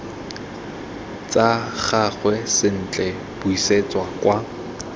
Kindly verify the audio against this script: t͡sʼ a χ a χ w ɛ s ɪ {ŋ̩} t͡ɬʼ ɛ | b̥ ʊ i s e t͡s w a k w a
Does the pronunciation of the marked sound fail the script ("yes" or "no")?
yes